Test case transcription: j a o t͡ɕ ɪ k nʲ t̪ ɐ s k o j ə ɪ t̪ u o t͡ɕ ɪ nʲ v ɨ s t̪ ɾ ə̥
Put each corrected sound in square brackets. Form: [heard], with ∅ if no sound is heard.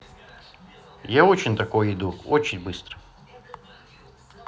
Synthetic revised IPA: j a o t͡ɕ ɪ [∅] nʲ t̪ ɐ [∅] k o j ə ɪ [d̪] u o t͡ɕ ɪ nʲ [b] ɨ s t̪ ɾ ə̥